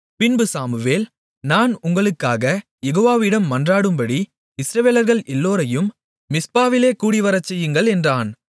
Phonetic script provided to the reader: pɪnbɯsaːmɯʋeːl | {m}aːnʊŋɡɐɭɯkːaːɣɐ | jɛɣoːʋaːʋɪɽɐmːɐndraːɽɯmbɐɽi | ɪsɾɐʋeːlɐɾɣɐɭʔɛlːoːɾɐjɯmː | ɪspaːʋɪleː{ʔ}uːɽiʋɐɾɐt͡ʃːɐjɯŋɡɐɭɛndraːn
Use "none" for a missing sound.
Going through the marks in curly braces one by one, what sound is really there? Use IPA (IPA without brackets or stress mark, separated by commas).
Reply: n, k